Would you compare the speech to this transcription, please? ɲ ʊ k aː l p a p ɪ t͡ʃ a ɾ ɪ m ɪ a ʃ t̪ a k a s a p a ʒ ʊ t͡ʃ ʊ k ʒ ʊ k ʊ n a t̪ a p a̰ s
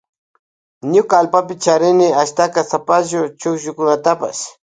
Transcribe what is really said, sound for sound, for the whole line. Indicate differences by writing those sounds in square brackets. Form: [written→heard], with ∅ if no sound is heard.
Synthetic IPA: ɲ ʊ k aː l p a p ɪ t͡ʃ a ɾ ɪ [m→n] ɪ a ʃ t̪ a k a s a p a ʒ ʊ t͡ʃ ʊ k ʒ ʊ k ʊ n a t̪ a p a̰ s